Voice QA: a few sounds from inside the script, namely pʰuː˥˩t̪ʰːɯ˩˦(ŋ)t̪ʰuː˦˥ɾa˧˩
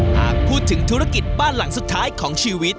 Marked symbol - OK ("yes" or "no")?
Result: yes